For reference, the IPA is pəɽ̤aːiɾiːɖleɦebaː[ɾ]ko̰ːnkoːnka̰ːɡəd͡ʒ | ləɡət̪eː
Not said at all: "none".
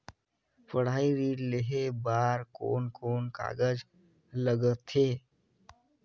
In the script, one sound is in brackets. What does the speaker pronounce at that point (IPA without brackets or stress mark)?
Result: ɾ